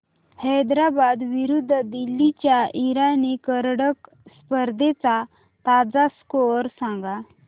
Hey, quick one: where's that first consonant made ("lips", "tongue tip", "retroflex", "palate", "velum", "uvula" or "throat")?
throat